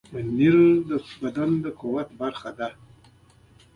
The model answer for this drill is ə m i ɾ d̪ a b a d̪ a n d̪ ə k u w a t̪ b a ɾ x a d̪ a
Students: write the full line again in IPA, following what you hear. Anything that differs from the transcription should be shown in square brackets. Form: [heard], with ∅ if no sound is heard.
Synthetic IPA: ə [n] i ɾ d̪ [ə] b a d̪ a n d̪ ə k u w a t̪ b a ɾ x a d̪ a

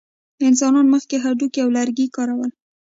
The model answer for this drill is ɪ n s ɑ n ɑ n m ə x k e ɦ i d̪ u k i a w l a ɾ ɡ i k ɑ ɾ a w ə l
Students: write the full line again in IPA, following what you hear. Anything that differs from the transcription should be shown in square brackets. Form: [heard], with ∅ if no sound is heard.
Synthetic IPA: ɪ n s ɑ n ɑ n m ə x k e ɦ [a] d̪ u k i a w l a ɾ ɡ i k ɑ ɾ a w ə l

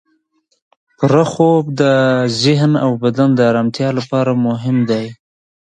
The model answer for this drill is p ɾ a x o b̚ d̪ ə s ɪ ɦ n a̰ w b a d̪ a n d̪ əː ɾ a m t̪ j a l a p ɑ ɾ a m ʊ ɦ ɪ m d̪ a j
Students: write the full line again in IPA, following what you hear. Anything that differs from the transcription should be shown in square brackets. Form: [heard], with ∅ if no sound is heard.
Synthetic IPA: p ɾ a x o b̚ d̪ ə [z] ɪ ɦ n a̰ w b a d̪ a n d̪ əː ɾ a m t̪ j [ɑ] l a p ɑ ɾ a m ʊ ɦ ɪ m d̪ a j

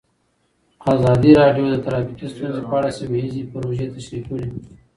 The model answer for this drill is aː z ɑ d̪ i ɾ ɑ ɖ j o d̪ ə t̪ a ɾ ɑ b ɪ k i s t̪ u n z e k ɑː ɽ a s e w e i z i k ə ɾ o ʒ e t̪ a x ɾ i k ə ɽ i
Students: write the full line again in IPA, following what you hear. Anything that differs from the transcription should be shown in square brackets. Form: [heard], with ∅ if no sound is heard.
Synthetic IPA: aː z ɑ d̪ i ɾ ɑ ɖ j o d̪ ə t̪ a ɾ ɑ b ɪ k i s t̪ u n z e [p] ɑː ɽ a s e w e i z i [p] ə ɾ o ʒ e t̪ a [ʃ] ɾ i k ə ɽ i

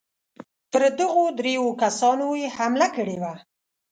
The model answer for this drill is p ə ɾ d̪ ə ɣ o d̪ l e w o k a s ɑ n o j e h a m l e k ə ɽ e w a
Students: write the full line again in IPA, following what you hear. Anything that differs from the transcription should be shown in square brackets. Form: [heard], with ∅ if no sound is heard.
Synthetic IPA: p ə ɾ d̪ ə ɣ o d̪ [ɾ] e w o k a s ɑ n o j e h a m l [a] k ə ɽ e w a

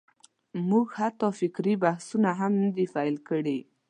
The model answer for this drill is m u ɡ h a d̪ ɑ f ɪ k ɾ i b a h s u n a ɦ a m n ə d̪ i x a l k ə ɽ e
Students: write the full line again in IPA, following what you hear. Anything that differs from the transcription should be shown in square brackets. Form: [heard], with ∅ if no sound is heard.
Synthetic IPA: m u ɡ h a [t̪] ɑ f ɪ k ɾ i b a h s u n a ɦ a m n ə d̪ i [f] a l k ə ɽ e

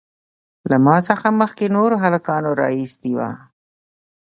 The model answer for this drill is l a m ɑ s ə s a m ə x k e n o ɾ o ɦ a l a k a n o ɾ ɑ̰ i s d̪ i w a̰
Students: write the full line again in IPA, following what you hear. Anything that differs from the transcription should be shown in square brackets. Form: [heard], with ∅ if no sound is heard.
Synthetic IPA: l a m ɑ s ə [x] a m ə x k e n o ɾ o ɦ a l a k [ɑ] n o ɾ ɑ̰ i s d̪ i w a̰

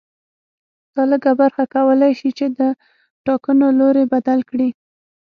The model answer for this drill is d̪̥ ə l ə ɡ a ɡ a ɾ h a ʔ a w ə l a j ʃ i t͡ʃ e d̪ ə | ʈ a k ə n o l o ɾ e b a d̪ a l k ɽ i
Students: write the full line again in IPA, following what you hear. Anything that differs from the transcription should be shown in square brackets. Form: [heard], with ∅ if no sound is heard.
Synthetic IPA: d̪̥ [ɑ] l ə ɡ a [b] a ɾ [x] a [k] a w ə l a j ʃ i t͡ʃ e d̪ ə | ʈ [ɑ] k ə n o l o ɾ e b a d̪ a l k ɽ i

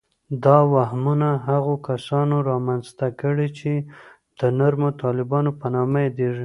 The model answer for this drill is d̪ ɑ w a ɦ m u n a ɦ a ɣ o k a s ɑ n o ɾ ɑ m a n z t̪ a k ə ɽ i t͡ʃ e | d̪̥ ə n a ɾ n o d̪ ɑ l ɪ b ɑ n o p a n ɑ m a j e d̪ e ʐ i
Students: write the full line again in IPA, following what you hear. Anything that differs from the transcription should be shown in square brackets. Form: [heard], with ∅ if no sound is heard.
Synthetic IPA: d̪ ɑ w a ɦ m u n a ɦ a ɣ o k a s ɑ n o ɾ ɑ m a n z t̪ a k ə ɽ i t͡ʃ e | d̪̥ ə n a ɾ [m] o [t̪] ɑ l ɪ b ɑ n o p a n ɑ m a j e d̪ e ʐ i

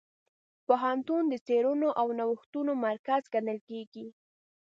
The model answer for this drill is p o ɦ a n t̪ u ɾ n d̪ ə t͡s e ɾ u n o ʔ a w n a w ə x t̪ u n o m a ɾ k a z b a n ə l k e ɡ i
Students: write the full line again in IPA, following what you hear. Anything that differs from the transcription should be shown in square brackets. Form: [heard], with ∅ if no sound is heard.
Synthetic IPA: p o ɦ a n t̪ u [∅] n d̪ ə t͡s e ɾ u n o ʔ a w n a w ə x t̪ u n o m a ɾ k a z [ɡ] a n ə l k e ɡ i

